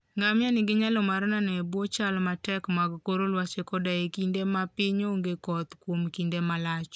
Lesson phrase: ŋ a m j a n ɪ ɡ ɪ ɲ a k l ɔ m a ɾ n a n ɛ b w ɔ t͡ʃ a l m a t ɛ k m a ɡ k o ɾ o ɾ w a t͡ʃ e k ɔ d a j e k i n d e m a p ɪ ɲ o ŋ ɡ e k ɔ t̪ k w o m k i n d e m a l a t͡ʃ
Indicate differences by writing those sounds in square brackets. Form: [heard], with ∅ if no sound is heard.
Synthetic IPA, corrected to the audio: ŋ a m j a n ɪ ɡ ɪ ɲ a [∅] l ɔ m a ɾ n a n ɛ b w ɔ t͡ʃ a l m a t ɛ k m a ɡ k o ɾ o [l] w a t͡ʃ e k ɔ d a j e k i n d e m a p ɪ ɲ o ŋ ɡ e k ɔ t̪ k w o m k i n d e m a l a t͡ʃ

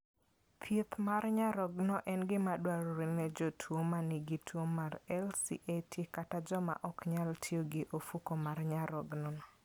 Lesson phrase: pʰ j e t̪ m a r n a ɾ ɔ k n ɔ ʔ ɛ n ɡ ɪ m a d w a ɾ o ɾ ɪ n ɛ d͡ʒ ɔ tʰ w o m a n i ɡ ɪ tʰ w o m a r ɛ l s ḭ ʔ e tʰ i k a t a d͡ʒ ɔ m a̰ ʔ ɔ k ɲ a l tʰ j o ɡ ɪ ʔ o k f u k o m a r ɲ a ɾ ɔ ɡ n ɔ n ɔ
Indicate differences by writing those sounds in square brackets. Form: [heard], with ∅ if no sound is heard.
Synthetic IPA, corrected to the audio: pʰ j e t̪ m a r [ɲ] a ɾ ɔ [ɡ] n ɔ ʔ ɛ n ɡ ɪ m a d w a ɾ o ɾ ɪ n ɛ d͡ʒ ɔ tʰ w o m a n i ɡ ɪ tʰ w o m a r ɛ l s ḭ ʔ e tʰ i k a t a d͡ʒ ɔ m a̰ ʔ ɔ k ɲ a l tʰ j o ɡ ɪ ʔ o [∅] f u k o m a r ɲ a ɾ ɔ ɡ n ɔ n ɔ

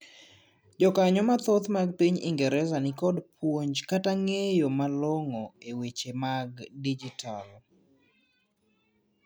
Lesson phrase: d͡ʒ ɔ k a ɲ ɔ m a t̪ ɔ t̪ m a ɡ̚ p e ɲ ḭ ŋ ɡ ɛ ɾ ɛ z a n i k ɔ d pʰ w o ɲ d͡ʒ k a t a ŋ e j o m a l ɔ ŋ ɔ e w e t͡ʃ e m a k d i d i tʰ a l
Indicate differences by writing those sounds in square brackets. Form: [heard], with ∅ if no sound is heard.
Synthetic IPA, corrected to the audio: d͡ʒ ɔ k a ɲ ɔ m a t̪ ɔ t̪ m a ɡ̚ p [i] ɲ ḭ ŋ ɡ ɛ ɾ ɛ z a n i k ɔ d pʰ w o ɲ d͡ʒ k a t a ŋ e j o m a l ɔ ŋ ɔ e w e t͡ʃ e m a [ɡ] d i [d͡ʒ] i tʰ a l

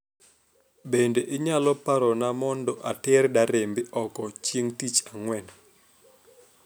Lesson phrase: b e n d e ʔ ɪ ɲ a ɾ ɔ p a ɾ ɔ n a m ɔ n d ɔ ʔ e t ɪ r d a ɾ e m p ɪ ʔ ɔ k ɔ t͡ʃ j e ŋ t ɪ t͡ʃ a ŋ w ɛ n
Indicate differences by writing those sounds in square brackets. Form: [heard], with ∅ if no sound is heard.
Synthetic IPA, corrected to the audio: b e n d e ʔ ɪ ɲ a [l] ɔ p a ɾ ɔ n a m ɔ n d ɔ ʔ [a] t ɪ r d a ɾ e m [b] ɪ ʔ ɔ k ɔ t͡ʃ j e ŋ t [i] t͡ʃ a ŋ w ɛ n

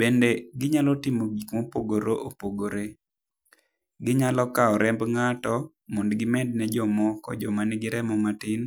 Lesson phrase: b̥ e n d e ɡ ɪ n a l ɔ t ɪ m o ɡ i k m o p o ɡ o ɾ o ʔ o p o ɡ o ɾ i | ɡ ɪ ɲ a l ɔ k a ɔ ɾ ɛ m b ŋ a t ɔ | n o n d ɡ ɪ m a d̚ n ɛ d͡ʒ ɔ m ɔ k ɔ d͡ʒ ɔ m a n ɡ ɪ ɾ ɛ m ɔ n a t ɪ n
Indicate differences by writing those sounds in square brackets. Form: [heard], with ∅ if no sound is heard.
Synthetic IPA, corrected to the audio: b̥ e n d e ɡ ɪ [ɲ] a l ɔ t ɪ m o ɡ i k m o p o ɡ o ɾ o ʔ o p o ɡ o ɾ [e] | ɡ ɪ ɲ a l ɔ k a ɔ ɾ ɛ m b ŋ a t ɔ | [m] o n d ɡ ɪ m [ɛ] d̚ n ɛ d͡ʒ ɔ m ɔ k ɔ d͡ʒ ɔ m a n ɡ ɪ ɾ ɛ m ɔ [m] a t ɪ n

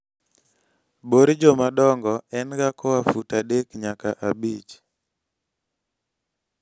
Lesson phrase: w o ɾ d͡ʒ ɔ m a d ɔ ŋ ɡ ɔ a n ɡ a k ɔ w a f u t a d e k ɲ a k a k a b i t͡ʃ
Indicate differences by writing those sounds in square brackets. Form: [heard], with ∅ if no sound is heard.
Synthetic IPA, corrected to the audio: [b] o ɾ d͡ʒ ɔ m a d ɔ ŋ ɡ ɔ [ɛ] n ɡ a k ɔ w a f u t a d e k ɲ a k a [ʔ] a b i t͡ʃ

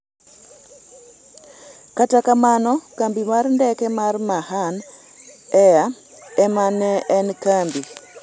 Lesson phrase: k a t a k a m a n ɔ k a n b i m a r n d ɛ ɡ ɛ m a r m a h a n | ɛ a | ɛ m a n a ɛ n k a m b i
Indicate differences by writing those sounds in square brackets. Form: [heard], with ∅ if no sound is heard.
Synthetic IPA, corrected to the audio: k a t a k a m a n ɔ k a [m] b i m a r n d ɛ [k] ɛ m a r m a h a n | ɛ a | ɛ m a n [ɛ] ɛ n k a m b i

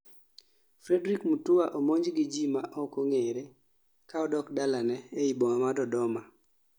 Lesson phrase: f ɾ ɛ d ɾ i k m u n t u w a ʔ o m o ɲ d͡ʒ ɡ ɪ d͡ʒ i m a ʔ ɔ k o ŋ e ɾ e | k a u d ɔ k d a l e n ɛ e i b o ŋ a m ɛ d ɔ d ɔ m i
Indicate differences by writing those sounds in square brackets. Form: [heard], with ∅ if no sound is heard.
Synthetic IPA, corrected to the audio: f ɾ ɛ d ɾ i k m u [∅] t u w a ʔ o m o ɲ d͡ʒ ɡ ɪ d͡ʒ i m a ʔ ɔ k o ŋ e ɾ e | k a [ɔ] d ɔ k d a l [a] n ɛ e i b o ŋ a m [a] d ɔ d ɔ m [a]

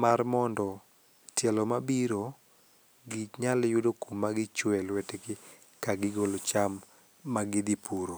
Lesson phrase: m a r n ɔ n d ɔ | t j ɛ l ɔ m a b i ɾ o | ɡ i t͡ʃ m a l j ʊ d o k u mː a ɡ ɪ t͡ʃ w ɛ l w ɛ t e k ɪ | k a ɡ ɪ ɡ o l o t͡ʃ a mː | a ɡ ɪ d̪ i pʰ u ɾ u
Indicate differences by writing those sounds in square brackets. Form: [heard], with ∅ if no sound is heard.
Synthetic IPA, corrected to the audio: m a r [m] ɔ n d ɔ | t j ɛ l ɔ m a b i ɾ o | ɡ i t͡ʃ [ɲ] a l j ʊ d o k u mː a ɡ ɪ t͡ʃ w ɛ l w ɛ t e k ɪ | k a ɡ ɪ ɡ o l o t͡ʃ a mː | a ɡ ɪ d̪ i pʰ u ɾ [o]

